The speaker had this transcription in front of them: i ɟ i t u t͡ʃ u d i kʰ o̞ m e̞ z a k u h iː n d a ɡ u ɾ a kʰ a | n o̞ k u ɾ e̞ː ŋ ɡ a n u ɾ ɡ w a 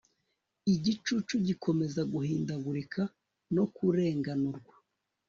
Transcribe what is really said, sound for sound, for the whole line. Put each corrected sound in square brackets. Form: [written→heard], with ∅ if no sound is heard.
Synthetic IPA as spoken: i ɟ i [t→t͡ʃ] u t͡ʃ u [d→ɟ] i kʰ o̞ m e̞ z a [k→ɡ] u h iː n d a ɡ u ɾ [a→i] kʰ a | n o̞ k u ɾ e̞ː ŋ ɡ a n u ɾ ɡ w a